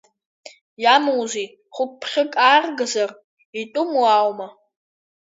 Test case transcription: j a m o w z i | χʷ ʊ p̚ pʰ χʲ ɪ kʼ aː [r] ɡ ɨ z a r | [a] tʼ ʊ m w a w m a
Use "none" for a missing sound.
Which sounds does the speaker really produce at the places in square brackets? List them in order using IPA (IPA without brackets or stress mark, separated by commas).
r, i